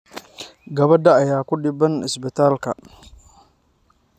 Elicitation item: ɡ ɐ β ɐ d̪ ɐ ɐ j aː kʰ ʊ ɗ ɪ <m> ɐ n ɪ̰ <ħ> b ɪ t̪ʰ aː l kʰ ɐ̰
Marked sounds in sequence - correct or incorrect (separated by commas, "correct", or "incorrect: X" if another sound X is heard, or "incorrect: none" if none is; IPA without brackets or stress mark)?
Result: incorrect: b, incorrect: s